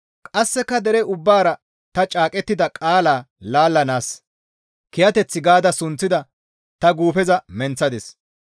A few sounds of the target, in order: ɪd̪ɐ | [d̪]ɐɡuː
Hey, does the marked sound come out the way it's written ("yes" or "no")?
no